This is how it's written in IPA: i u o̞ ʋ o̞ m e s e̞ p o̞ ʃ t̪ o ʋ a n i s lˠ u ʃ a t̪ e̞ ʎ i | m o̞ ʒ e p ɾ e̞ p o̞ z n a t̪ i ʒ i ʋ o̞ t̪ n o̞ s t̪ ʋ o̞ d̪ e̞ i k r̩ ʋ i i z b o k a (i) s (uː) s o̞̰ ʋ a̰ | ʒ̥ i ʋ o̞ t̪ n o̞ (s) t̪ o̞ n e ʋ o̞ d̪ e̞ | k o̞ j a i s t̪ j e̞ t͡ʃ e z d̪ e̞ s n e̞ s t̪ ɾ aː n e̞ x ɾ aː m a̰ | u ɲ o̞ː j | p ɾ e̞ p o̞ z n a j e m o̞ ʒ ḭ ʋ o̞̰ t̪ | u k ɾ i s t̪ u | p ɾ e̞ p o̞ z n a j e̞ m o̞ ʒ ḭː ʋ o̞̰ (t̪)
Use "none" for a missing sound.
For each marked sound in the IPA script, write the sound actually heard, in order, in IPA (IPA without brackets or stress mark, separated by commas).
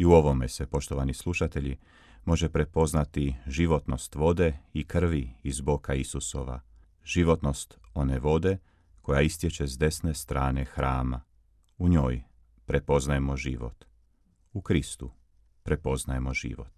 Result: i, u, s, t̪